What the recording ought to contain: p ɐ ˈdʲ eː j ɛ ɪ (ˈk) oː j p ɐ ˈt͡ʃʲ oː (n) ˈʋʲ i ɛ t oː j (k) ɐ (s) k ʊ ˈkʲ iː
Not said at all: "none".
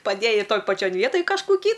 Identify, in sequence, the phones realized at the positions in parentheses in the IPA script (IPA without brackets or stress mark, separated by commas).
t, n, k, ʃ